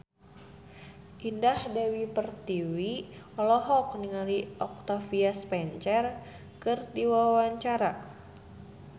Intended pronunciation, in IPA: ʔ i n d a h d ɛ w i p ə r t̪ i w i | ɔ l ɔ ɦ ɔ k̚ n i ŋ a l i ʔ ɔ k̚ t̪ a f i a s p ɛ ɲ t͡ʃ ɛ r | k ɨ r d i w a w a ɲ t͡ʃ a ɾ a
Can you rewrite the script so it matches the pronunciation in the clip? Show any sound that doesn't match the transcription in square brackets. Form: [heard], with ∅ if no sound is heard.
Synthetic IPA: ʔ i n d a h d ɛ w i p ə r t̪ i w i | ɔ l ɔ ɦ ɔ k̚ n i ŋ a l i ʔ ɔ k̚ t̪ a f i a s p ɛ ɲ t͡ʃ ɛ r | k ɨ r d i w a w a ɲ t͡ʃ a ɾ a